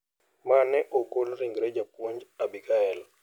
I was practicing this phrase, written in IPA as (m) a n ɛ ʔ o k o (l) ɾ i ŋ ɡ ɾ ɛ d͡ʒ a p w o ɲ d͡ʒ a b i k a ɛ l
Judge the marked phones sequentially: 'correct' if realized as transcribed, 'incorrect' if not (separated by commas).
correct, correct